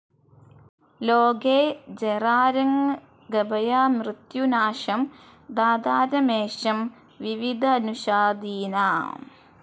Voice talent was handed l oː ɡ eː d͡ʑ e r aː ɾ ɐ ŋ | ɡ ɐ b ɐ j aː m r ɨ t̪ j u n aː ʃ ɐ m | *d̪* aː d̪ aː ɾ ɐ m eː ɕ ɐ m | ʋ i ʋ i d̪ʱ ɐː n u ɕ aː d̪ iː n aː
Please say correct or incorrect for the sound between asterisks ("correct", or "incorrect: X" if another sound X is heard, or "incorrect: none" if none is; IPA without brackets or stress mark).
correct